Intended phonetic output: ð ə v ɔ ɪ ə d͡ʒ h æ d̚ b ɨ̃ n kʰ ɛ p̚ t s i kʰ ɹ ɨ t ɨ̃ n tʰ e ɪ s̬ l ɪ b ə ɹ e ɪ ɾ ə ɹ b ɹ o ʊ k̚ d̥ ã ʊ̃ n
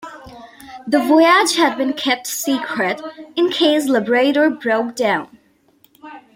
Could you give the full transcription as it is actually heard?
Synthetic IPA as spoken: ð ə v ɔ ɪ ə d͡ʒ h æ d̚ b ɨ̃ n kʰ ɛ p̚ t s i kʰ ɹ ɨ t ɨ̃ n kʰ e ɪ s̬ l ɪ b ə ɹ e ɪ ɾ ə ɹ b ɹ o ʊ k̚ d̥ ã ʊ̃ n

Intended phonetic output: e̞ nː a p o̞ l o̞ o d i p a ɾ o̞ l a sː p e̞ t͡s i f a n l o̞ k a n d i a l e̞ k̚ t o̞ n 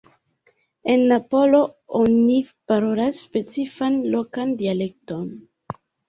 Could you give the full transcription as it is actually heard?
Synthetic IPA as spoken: e̞ nː a p o̞ l o̞ o n i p a ɾ o̞ l a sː p e̞ t͡s i f a n l o̞ k a n d i a l e̞ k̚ t o̞ n

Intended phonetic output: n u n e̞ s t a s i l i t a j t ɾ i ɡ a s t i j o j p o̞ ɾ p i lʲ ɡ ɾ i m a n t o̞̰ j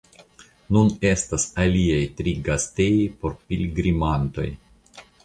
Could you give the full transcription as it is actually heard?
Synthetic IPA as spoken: n u n e̞ s t a s a l i a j t ɾ i ɡ a s t e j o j p o̞ ɾ p i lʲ ɡ ɾ i m a n t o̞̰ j

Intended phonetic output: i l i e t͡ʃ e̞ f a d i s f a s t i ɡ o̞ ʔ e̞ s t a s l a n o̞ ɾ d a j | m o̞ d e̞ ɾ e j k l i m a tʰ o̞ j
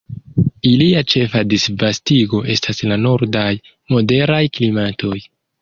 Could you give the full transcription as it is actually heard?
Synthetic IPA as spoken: i l i a t͡ʃ e̞ f a d i s v a s t i ɡ o̞ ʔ e̞ s t a s l a n o̞ ɾ d a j | m o̞ d e̞ ɾ a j k l i m a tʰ o̞ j

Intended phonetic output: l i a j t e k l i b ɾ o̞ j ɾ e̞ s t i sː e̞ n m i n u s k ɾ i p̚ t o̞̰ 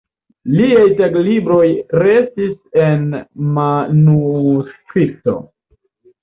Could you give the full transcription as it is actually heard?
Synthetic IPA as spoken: l i a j t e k l i b ɾ o̞ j ɾ e̞ s t i s e̞ n m a n u s k ɾ i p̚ t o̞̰

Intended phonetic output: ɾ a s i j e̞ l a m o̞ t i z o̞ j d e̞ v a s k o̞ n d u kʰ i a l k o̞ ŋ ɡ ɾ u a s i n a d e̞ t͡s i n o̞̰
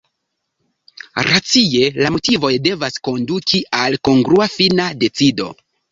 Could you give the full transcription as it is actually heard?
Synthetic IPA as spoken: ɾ a t͡s i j e̞ l a m o̞ t i v o̞ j d e̞ v a s k o̞ n d u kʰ i a l k o̞ ŋ ɡ ɾ u a f i n a d e̞ t͡s i d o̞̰

